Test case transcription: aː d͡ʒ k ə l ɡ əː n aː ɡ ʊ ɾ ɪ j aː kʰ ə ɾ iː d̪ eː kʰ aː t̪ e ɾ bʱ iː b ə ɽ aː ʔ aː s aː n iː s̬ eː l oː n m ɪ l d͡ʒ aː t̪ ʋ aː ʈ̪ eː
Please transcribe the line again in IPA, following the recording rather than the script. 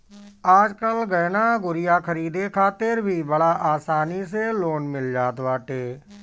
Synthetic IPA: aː d͡ʒ k ə l ɡ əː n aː ɡ ʊ ɾ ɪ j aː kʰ ə ɾ iː d̪ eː kʰ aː t̪ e ɾ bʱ iː b ə ɽ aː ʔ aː s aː n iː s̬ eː l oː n m ɪ l d͡ʒ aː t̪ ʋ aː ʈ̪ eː